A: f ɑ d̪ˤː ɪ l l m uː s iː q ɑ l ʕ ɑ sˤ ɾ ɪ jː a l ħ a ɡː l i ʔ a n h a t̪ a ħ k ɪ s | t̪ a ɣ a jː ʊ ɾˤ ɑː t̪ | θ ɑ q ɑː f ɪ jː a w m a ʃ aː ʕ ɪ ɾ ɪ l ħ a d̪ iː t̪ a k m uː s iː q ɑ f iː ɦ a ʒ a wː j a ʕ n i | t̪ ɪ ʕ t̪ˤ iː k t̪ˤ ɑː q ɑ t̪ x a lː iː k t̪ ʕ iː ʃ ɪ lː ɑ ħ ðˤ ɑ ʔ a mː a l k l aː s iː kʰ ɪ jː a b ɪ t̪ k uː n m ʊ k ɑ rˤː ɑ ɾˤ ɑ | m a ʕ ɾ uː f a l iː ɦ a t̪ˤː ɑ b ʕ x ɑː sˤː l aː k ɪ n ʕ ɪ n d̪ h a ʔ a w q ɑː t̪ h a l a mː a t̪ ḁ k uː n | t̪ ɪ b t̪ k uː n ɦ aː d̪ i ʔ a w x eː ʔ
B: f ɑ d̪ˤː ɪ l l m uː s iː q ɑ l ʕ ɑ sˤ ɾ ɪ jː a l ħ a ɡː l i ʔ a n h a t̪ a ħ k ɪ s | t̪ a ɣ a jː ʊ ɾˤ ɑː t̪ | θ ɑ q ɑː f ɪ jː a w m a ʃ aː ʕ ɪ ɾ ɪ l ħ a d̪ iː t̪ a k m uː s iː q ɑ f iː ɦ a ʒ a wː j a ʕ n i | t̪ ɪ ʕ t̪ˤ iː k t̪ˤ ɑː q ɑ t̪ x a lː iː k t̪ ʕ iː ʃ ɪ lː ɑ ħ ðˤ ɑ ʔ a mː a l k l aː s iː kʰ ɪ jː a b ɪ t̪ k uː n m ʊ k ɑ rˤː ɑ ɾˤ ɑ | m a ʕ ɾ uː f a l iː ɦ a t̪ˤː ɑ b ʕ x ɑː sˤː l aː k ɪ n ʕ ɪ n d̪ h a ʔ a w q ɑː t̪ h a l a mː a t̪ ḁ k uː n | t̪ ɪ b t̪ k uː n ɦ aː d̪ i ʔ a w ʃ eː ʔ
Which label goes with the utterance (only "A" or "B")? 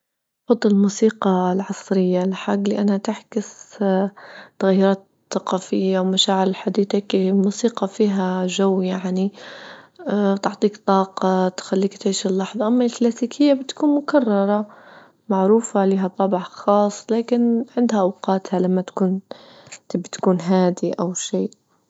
B